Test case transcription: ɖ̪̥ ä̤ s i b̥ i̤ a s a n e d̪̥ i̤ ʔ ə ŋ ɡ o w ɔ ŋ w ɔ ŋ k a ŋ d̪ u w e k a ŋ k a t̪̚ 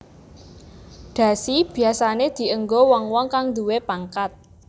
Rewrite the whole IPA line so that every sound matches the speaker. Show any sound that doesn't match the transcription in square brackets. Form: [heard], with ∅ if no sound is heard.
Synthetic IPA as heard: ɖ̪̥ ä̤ s i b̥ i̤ a s a n e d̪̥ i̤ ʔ ə ŋ ɡ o w ɔ ŋ w ɔ ŋ k a ŋ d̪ u w e [p] a ŋ k a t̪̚